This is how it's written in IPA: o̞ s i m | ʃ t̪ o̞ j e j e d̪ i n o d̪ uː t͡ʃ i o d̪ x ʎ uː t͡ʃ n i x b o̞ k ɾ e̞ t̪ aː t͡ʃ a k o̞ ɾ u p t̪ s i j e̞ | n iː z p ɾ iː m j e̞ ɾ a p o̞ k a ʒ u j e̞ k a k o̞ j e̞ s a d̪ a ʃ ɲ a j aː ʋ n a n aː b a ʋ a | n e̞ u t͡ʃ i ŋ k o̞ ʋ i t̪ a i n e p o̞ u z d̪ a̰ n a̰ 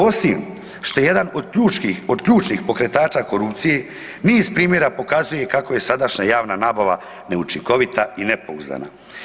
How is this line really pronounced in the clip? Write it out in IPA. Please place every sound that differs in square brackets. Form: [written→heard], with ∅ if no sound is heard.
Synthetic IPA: o̞ s i m | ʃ t̪ o̞ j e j e d̪ [i→a] n o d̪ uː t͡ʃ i o d̪ [x→k] ʎ uː t͡ʃ n i x [b→p] o̞ k ɾ e̞ t̪ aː t͡ʃ a k o̞ ɾ u p t̪ s i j e̞ | n iː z p ɾ iː m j e̞ ɾ a p o̞ k a [ʒ→z] u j e̞ k a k o̞ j e̞ s a d̪ a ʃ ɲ a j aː ʋ n a n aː b a ʋ a | n e̞ u t͡ʃ i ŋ k o̞ ʋ i t̪ a i n e p o̞ u z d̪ a̰ n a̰